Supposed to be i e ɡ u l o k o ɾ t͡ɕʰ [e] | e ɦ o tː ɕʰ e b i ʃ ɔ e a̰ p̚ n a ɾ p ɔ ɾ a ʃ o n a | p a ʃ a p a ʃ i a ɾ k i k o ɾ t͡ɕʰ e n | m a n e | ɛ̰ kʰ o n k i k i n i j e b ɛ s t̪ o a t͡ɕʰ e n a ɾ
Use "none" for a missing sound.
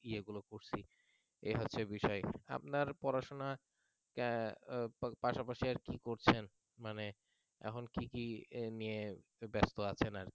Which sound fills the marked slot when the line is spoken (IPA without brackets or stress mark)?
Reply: i